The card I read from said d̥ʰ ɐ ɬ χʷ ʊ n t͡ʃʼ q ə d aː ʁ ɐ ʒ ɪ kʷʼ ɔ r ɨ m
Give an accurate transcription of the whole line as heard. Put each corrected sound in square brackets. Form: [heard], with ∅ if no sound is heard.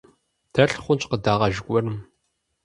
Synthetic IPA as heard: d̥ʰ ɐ ɬ χʷ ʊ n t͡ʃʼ q ə d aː ʁ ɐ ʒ ɪ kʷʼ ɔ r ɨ m

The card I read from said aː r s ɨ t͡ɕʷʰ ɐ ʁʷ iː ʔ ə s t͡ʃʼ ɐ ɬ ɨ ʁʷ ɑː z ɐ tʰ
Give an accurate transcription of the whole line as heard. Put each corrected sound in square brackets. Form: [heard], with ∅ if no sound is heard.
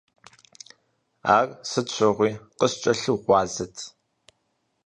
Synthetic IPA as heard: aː r s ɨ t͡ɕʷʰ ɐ ʁʷ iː [q] ə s t͡ʃʼ ɐ ɬ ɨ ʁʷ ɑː z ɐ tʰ

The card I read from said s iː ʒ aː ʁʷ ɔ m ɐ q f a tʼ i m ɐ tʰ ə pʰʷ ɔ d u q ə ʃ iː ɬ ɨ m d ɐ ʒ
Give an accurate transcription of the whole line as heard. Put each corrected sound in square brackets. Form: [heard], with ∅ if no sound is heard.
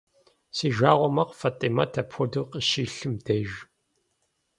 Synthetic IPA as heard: s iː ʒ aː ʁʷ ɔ m ɐ q f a tʼ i m ɐ tʰ [ɐ] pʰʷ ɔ d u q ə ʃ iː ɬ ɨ m d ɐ ʒ

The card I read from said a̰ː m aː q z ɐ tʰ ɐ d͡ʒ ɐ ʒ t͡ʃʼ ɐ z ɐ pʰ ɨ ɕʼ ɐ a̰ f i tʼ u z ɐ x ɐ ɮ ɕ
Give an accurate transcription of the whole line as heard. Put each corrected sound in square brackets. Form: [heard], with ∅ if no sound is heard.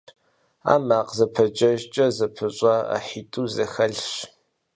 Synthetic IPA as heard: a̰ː m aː q z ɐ [pʰ] ɐ d͡ʒ ɐ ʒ t͡ʃʼ ɐ z ɐ pʰ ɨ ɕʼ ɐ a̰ [ħ] i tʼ u z ɐ x ɐ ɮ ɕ

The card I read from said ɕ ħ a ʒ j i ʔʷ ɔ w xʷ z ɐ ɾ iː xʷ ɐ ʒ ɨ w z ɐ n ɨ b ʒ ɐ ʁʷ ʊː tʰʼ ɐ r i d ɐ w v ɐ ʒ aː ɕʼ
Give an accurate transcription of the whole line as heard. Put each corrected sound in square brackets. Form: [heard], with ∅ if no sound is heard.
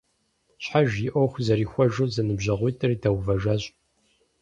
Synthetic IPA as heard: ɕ ħ a ʒ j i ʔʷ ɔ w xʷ z ɐ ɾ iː xʷ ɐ ʒ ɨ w z ɐ n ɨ b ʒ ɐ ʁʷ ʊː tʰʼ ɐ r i d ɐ w v ɐ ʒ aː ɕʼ

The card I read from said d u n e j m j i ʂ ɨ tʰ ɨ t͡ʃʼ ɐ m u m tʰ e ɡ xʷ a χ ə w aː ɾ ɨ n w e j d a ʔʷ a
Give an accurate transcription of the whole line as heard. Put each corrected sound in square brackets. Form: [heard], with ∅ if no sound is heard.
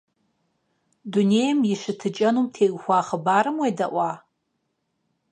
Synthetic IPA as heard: d u n e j m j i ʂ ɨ tʰ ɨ t͡ʃʼ ɐ [n] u m tʰ e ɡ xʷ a χ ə [b] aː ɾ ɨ [m] w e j d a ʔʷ a

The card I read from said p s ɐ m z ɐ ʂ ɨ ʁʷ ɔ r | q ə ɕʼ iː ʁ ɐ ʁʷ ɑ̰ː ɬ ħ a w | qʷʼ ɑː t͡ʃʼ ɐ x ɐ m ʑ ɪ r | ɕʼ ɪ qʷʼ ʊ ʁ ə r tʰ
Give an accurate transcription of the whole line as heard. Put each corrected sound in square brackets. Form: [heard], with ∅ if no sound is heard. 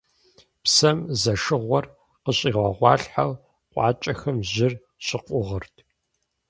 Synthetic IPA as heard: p s ɐ m z ɐ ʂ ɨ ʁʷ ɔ r | q ə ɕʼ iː ʁ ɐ ʁʷ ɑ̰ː ɬ ħ a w | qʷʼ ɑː t͡ʃʼ ɐ x ɐ m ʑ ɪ r | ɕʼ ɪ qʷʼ ʊ ʁ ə r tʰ

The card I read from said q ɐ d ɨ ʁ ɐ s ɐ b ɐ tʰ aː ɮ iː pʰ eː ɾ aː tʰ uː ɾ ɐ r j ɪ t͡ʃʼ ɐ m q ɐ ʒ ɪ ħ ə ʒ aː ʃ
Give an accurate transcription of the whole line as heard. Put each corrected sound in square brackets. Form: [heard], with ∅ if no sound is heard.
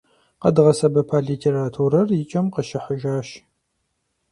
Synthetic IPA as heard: q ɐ d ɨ ʁ ɐ s ɐ b ɐ [pʰ] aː ɮ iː [tʰ] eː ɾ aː tʰ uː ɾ ɐ r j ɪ t͡ʃʼ ɐ m q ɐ [ʃ] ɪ ħ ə ʒ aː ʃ

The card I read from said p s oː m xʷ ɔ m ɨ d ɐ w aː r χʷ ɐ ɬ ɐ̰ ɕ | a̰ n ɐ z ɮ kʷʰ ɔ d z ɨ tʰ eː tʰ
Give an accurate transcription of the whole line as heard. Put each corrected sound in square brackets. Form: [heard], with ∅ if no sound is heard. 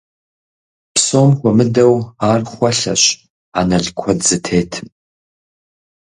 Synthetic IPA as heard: p s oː m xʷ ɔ m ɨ d ɐ w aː r χʷ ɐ ɬ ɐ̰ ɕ | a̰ n ɐ [∅] ɮ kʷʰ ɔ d z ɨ tʰ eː tʰ

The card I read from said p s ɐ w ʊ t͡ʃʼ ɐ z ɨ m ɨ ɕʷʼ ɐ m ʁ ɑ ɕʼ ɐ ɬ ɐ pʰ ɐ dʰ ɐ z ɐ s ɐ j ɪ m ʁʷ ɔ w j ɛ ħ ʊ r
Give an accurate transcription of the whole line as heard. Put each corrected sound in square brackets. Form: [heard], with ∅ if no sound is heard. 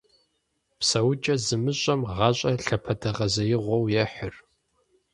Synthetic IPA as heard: p s ɐ w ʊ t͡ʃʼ ɐ z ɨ m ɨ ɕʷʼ ɐ m ʁ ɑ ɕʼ ɐ ɬ ɐ pʰ ɐ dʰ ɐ [ʁ] ɐ [z] ɐ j ɪ [∅] ʁʷ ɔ w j ɛ ħ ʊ r

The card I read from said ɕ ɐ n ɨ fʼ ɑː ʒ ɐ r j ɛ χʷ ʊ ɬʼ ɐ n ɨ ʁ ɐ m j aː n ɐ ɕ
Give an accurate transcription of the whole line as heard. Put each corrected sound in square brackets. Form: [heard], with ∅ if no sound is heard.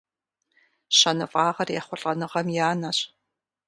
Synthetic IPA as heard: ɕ ɐ n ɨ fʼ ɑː [ʁ] ɐ r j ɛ χʷ ʊ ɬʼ ɐ n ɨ ʁ ɐ m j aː n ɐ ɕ

